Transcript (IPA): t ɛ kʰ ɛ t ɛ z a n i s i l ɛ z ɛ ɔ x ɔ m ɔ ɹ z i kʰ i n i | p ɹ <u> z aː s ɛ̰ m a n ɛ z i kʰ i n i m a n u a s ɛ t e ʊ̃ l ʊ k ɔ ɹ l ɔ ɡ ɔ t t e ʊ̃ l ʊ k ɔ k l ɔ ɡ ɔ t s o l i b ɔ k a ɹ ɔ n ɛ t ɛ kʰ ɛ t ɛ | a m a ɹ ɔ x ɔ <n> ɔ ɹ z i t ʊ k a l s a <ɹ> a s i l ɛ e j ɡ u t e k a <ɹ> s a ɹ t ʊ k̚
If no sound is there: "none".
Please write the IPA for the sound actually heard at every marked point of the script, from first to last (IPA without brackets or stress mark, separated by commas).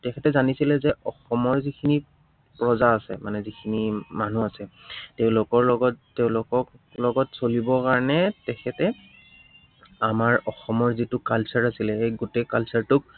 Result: ɔ, m, ɹ, l